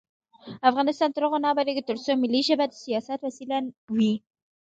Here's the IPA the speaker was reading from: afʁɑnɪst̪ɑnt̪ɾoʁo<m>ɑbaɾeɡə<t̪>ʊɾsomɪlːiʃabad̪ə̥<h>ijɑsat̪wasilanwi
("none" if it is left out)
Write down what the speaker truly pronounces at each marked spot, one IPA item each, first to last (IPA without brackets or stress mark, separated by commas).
n, t̪, s